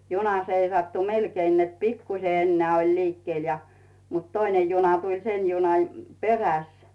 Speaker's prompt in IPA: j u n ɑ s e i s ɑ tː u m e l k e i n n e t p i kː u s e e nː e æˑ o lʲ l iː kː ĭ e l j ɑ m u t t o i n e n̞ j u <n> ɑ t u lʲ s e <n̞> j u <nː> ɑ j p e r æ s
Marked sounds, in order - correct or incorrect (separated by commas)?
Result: correct, correct, incorrect